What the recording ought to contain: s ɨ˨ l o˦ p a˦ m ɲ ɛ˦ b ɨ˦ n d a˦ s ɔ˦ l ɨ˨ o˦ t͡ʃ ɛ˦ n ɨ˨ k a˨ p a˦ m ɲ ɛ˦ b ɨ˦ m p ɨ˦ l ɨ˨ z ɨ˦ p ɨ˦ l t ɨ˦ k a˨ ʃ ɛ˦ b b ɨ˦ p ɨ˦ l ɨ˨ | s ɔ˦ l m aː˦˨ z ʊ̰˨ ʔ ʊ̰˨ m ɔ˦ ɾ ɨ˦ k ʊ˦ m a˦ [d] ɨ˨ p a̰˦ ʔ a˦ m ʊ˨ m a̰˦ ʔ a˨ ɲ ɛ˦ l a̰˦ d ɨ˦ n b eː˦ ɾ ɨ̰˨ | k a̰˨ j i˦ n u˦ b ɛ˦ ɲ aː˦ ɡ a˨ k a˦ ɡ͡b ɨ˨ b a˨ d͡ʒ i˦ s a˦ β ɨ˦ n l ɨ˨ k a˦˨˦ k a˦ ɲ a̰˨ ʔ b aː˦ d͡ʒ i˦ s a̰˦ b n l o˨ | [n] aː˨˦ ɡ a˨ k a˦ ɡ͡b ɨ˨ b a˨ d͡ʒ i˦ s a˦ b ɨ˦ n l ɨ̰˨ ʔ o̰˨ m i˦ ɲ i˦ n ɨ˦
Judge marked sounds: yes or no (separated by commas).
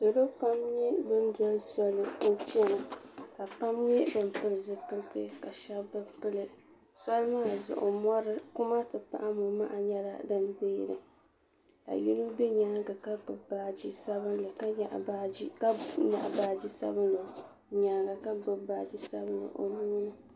no, no